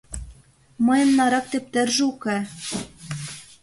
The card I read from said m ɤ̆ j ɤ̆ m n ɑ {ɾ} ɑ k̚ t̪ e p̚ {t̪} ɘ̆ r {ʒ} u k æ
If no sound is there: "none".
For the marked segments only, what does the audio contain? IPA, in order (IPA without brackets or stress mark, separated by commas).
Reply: ɾ, t̪, ʒ